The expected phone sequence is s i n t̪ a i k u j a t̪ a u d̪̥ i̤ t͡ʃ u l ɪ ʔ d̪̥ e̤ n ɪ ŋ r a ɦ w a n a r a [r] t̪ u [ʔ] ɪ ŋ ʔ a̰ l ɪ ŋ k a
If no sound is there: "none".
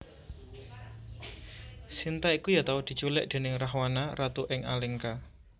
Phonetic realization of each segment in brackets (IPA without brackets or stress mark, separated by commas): none, ʔ